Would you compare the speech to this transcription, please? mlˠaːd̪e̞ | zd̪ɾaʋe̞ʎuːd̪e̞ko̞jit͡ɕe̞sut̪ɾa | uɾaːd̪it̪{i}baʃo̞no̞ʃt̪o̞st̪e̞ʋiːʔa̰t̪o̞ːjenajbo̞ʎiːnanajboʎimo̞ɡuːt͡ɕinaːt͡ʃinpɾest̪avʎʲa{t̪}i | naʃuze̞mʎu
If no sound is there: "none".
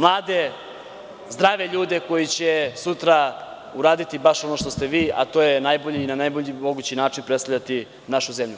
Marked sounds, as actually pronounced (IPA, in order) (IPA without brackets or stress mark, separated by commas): i, t̪